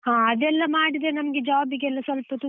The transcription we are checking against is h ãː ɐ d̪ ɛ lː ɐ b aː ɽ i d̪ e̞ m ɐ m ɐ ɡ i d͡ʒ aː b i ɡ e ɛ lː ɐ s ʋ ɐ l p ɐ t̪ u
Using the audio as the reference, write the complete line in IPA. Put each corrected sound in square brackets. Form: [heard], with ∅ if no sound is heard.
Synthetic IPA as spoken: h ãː ɐ d̪ ɛ lː ɐ [m] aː ɽ i d̪ e̞ [n] ɐ m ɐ ɡ [e] d͡ʒ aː b i ɡ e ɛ lː ɐ s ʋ ɐ l p ɐ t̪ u